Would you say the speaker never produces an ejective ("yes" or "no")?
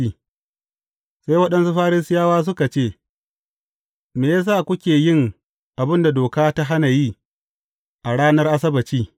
yes